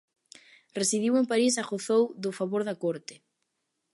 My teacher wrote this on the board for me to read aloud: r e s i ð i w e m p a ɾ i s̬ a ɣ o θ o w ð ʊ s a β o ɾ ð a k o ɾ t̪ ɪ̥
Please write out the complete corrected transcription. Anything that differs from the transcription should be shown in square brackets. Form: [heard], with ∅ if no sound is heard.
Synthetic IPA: r e s i ð i w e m p a ɾ i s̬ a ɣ o θ o w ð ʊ [f] a β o ɾ ð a k o ɾ t̪ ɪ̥